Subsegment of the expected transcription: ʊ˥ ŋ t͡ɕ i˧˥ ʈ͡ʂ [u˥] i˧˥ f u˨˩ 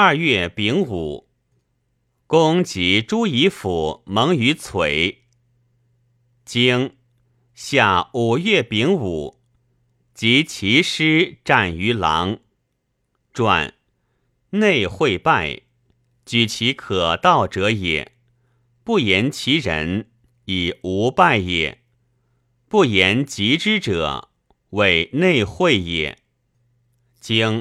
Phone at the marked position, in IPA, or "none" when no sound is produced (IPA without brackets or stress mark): u˥